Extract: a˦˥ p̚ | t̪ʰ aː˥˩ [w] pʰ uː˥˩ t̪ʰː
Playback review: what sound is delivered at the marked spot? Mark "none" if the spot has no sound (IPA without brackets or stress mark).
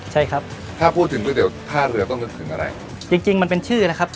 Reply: none